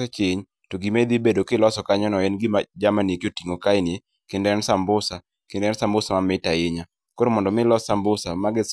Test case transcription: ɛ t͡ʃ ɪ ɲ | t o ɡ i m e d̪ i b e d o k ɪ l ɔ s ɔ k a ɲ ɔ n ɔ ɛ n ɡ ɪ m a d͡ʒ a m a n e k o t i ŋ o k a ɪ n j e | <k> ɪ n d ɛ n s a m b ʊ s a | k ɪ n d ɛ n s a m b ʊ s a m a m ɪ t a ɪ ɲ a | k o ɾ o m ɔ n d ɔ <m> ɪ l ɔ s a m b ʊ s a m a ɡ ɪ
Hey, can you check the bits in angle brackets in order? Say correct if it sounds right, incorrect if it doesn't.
correct, correct

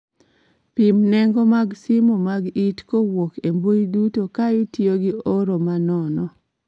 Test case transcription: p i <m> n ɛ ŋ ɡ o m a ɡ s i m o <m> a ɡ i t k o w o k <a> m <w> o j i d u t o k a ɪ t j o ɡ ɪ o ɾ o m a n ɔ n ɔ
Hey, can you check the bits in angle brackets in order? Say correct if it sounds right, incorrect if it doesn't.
correct, correct, incorrect, incorrect

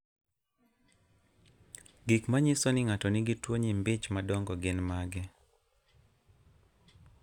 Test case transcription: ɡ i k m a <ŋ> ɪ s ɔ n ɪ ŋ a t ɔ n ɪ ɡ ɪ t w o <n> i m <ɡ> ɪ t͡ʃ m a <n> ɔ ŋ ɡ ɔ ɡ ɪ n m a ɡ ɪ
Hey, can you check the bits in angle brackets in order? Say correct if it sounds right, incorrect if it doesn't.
incorrect, incorrect, incorrect, incorrect

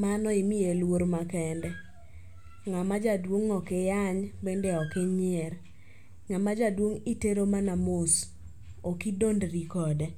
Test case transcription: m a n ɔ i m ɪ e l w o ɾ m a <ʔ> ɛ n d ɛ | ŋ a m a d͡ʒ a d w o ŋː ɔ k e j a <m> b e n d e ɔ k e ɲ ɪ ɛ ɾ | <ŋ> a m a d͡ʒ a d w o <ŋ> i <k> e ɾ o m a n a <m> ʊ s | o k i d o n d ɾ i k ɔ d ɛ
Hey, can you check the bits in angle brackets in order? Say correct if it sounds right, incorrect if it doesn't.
incorrect, incorrect, correct, correct, incorrect, correct

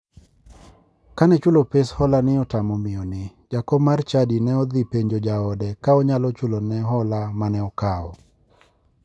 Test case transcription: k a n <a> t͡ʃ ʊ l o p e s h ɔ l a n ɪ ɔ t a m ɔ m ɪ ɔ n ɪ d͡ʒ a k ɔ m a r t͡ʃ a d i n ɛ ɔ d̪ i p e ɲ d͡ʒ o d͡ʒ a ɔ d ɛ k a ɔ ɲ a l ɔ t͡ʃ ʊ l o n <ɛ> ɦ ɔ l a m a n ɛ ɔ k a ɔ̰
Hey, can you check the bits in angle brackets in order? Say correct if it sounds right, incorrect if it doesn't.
incorrect, correct

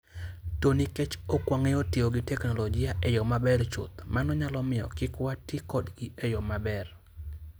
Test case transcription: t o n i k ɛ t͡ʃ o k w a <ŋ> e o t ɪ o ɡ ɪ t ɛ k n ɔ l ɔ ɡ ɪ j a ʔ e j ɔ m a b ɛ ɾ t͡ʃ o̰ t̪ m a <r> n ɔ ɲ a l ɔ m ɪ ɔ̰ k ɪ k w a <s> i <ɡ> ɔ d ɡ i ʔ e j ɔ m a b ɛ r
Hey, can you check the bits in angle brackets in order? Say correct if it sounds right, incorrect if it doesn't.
correct, incorrect, incorrect, incorrect

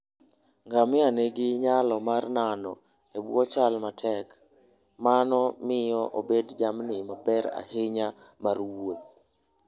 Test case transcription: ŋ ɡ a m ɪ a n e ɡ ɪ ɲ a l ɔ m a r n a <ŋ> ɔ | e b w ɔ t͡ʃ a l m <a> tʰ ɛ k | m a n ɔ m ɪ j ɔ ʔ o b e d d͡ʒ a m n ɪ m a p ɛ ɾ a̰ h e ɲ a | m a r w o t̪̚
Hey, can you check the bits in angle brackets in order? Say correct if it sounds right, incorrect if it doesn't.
incorrect, correct

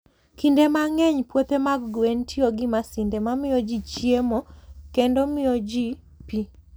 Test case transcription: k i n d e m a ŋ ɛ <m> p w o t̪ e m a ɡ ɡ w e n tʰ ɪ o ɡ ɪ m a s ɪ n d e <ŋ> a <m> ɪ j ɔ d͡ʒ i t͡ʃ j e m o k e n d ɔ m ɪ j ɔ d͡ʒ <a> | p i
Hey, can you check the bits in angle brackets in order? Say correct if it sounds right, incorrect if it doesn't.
incorrect, incorrect, correct, incorrect

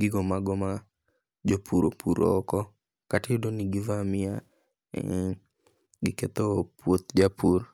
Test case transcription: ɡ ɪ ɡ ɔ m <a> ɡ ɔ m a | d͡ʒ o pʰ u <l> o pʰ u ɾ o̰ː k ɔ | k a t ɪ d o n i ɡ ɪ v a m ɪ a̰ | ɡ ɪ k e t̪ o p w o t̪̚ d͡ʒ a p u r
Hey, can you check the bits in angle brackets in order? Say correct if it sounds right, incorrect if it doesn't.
correct, incorrect

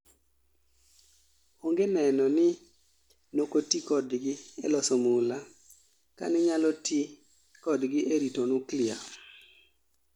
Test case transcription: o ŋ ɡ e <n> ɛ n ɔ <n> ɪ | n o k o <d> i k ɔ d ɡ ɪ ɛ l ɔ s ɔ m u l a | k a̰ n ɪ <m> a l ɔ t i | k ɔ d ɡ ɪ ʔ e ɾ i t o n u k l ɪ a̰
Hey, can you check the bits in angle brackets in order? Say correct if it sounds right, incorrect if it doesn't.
correct, correct, incorrect, incorrect

